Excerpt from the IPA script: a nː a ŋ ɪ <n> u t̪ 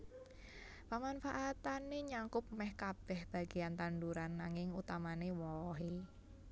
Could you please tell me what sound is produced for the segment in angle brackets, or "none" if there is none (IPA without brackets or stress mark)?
ŋ